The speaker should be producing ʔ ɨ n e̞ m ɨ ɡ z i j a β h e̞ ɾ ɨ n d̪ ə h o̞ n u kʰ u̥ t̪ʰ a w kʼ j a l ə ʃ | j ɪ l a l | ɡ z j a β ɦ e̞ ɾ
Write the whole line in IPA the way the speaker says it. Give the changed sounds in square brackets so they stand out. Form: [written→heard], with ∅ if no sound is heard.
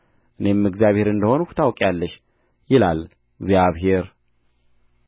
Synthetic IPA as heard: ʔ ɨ n e̞ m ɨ ɡ z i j a β h e̞ ɾ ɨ n d̪ ə h o̞ n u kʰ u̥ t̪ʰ a w kʼ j a [l→lː] ə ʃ | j ɪ l a l | ɡ z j a β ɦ e̞ ɾ